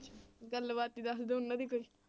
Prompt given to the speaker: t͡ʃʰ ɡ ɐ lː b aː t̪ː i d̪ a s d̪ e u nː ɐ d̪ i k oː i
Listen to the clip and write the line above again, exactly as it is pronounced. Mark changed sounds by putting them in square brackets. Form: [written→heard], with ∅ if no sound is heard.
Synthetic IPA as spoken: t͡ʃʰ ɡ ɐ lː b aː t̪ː i d̪ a s d̪ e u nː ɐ d̪ i k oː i